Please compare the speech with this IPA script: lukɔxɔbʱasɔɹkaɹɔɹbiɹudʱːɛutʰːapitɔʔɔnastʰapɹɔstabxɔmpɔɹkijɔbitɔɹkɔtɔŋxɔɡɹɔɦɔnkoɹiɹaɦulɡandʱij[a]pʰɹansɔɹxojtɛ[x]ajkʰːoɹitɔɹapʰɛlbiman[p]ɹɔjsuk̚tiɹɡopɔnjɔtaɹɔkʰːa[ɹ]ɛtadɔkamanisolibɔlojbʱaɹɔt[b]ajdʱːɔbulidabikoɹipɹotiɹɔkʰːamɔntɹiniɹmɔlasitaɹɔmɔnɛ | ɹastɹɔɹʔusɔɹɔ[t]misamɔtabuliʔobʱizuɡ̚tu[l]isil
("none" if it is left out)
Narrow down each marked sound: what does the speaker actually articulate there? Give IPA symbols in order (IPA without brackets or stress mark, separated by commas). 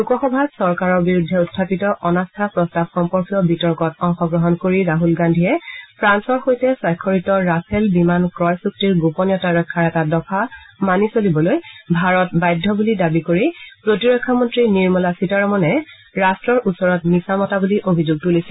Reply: ɛ, s, k, ɹ, b, t, l